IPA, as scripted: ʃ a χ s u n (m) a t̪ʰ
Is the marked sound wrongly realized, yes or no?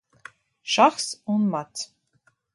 no